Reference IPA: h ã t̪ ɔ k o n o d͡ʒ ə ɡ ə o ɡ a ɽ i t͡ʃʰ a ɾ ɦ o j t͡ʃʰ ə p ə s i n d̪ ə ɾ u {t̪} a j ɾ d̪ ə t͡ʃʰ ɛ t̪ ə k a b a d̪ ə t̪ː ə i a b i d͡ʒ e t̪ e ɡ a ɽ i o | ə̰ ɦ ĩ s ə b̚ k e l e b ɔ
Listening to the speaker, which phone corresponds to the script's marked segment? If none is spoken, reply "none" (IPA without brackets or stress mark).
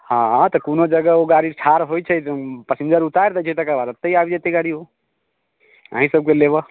t̪